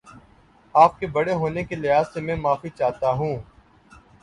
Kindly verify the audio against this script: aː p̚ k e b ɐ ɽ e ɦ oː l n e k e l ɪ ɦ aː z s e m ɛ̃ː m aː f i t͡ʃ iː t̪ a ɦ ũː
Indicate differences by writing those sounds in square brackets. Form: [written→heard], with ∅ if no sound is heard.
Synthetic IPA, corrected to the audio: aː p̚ k e b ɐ ɽ e ɦ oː [l→∅] n e k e l ɪ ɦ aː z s e m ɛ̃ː m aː f i t͡ʃ [iː→aː] t̪ a ɦ ũː